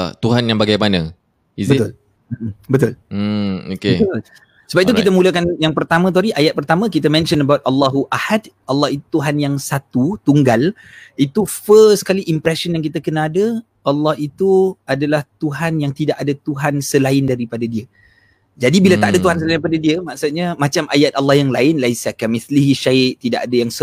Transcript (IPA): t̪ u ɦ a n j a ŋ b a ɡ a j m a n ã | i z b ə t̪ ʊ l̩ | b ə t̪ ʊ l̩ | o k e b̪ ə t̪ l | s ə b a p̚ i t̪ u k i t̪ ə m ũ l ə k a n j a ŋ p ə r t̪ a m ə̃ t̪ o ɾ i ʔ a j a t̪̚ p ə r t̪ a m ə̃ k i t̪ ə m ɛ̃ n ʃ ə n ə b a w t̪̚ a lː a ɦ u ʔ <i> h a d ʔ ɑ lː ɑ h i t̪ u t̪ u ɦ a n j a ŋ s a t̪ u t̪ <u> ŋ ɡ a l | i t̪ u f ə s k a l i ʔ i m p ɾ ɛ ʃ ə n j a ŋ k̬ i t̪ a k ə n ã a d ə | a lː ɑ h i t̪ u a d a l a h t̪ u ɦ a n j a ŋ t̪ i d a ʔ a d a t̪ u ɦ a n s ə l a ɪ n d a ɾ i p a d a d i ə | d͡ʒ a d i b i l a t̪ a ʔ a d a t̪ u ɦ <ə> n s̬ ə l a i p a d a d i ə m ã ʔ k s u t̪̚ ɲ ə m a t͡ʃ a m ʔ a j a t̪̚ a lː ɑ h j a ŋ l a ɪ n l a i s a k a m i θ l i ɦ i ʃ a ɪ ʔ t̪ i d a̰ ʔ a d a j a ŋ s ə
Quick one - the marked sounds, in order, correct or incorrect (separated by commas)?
incorrect, correct, incorrect